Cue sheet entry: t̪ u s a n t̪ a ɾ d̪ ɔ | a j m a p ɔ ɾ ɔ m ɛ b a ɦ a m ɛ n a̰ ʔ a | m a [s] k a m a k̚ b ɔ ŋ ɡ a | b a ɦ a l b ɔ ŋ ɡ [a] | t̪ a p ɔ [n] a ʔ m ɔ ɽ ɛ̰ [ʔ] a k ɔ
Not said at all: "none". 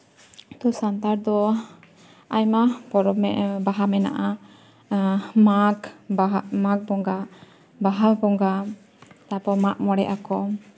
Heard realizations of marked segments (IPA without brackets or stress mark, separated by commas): none, a, m, ʔ